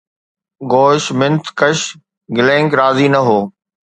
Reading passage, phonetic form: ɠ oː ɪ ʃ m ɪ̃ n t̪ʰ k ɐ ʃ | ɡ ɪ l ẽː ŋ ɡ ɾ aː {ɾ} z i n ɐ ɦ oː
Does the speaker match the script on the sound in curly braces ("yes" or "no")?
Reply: no